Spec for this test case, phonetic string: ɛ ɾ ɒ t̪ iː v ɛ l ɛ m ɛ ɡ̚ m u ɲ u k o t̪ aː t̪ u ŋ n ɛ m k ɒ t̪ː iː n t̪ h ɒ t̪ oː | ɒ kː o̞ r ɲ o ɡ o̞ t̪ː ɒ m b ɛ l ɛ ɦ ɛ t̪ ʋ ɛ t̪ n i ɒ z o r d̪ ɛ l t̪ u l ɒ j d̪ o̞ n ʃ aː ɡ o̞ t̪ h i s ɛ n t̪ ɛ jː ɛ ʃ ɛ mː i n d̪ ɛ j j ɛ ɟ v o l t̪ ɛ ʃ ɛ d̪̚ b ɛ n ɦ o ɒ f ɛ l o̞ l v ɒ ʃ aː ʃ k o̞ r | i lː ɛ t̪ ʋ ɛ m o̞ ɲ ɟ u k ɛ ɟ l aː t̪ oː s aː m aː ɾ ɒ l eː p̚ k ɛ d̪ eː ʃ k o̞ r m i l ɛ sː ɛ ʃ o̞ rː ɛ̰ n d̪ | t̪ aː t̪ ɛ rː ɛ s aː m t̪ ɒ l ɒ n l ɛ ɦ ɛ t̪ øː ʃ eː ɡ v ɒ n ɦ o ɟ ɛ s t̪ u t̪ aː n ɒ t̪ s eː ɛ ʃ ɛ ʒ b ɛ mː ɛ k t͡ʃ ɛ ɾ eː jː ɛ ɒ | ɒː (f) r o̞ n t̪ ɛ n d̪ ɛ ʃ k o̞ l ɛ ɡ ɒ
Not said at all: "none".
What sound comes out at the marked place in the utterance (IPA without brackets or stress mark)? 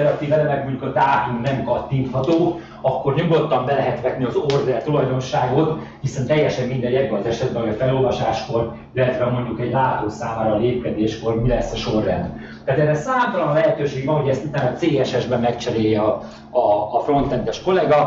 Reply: f